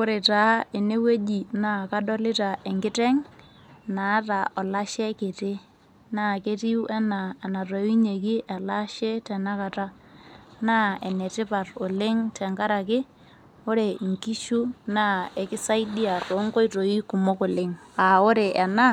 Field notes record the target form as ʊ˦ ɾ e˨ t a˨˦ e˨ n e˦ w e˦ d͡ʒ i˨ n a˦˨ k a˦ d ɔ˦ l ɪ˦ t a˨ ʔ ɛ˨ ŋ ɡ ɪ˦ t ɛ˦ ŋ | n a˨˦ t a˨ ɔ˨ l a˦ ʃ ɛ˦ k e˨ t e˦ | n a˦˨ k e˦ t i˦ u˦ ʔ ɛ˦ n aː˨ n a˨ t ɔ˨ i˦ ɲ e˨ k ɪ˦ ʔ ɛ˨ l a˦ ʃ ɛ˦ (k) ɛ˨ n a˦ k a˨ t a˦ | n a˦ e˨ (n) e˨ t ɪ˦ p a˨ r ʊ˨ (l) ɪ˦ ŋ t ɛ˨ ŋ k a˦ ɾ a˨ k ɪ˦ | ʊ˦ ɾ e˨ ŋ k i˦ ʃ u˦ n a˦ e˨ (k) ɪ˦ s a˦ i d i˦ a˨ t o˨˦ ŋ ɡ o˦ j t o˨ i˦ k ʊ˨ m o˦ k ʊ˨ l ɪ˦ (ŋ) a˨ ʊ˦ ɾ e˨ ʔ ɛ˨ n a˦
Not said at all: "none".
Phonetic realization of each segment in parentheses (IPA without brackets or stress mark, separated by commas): t, n, l, k, ŋ